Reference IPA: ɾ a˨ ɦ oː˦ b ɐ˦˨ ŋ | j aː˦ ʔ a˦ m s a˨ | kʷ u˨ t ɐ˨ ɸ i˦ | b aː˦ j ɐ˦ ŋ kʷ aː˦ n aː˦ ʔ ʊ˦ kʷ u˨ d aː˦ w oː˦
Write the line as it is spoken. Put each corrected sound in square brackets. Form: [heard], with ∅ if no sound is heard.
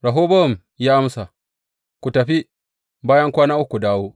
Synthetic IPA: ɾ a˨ ɦ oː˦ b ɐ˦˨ [m] | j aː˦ ʔ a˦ m s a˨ | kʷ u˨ t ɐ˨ ɸ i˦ | b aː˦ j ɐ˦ ŋ kʷ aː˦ n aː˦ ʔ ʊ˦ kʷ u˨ d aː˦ w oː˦